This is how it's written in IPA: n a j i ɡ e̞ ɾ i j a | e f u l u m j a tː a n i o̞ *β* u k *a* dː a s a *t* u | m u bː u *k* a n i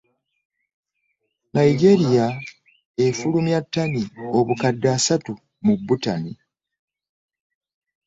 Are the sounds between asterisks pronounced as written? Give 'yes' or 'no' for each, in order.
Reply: yes, yes, yes, no

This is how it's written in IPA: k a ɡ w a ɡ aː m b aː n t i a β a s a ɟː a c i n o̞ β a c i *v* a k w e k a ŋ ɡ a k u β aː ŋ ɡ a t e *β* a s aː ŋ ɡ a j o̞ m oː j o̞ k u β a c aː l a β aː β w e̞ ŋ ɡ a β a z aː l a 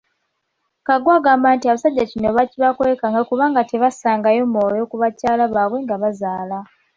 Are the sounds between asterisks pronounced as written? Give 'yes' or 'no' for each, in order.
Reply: no, yes

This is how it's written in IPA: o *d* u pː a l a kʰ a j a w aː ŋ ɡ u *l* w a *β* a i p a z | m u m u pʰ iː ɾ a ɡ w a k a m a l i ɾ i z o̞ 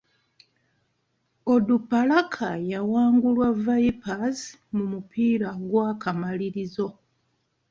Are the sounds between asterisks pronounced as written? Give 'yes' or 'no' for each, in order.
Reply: yes, yes, no

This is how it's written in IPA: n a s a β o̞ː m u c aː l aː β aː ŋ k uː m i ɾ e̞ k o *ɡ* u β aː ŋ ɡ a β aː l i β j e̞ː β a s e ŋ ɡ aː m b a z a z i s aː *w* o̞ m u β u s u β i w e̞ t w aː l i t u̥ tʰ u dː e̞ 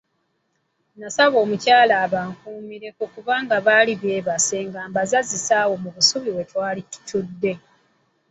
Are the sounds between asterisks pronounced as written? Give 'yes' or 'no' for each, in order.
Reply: no, yes

